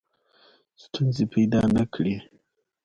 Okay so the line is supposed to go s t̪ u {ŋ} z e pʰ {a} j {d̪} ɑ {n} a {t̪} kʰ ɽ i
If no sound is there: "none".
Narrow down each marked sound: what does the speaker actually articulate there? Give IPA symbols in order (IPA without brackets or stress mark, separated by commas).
n, a, d̪, n, none